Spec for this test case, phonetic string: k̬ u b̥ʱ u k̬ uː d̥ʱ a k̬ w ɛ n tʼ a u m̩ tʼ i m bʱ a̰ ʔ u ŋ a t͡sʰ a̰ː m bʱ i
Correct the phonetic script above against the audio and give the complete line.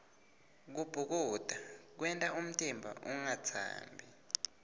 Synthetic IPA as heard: k̬ u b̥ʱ u k̬ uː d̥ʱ a k̬ w ɛ n tʼ a u m̩ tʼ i m bʱ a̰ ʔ u ŋ a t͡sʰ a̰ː m bʱ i